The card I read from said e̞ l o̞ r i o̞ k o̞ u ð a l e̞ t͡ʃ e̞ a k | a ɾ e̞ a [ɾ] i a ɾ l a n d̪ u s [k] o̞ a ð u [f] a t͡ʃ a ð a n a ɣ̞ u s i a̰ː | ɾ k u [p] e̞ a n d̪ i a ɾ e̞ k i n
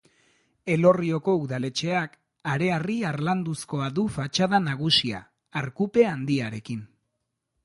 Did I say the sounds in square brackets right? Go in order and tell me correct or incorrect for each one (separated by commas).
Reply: incorrect, correct, correct, correct